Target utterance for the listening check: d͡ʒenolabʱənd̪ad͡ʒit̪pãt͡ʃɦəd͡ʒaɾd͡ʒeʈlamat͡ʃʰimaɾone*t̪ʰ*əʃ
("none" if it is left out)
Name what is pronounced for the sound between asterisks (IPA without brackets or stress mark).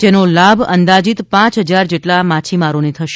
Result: t̪ʰ